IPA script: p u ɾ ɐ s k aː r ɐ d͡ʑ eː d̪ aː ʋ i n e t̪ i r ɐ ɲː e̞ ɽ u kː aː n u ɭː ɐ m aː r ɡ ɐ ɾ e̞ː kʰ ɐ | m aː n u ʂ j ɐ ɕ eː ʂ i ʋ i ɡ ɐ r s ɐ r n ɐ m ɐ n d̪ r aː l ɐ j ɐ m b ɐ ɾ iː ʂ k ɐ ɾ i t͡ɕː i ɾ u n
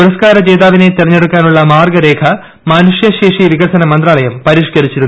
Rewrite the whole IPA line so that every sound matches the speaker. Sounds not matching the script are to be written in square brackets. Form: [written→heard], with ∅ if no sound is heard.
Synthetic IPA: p u ɾ ɐ s k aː [r→ɾ] ɐ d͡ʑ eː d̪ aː ʋ i n e t̪ i r ɐ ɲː e̞ ɽ u kː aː n u ɭː ɐ m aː r ɡ ɐ ɾ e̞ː kʰ ɐ | m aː n u ʂ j ɐ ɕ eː ʂ i ʋ i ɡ ɐ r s ɐ [r→∅] n ɐ m ɐ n d̪ r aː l ɐ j ɐ m [b→p] ɐ ɾ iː ʂ k ɐ ɾ i t͡ɕː i ɾ u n